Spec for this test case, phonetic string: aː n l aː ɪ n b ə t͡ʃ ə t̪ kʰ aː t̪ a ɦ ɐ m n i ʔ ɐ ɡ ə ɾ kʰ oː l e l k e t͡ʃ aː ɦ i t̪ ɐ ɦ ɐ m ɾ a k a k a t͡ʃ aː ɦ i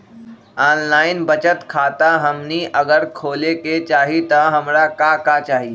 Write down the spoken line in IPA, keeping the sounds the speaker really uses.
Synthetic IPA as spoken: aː n l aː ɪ n b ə t͡ʃ ə t̪ kʰ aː t̪ a ɦ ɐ m n i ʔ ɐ ɡ ə ɾ kʰ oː l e k e t͡ʃ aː ɦ i t̪ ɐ ɦ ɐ m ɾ a k a k a t͡ʃ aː ɦ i